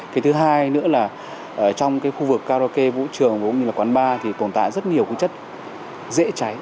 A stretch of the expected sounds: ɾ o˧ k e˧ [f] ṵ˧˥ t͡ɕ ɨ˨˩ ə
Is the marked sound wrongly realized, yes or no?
yes